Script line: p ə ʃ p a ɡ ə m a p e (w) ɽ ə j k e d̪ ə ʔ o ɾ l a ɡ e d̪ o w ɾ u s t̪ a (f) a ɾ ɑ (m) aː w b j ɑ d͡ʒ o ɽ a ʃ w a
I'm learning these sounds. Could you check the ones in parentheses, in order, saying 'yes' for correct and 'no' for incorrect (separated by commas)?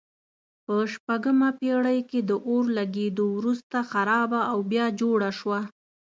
no, no, no